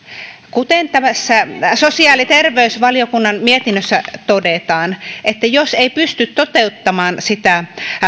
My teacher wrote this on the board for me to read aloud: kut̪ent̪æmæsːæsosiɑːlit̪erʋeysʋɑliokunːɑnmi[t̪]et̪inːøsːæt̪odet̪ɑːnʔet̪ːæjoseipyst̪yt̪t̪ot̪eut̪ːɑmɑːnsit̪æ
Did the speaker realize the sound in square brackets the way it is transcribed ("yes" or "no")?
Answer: no